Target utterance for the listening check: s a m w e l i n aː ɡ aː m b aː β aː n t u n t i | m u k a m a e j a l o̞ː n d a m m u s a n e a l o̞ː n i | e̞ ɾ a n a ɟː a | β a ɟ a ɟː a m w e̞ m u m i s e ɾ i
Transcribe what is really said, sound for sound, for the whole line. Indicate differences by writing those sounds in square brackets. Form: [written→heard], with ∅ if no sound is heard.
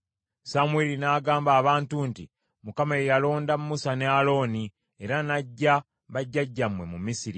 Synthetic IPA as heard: s a m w e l i n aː ɡ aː m b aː β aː n t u n t i | m u k a m a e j a l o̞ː n d a m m u s a n e a l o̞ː n i | e̞ ɾ a n a ɟː a | β a [ɟ→ɟː] a ɟː a m w e̞ m u m i s [e→i] ɾ i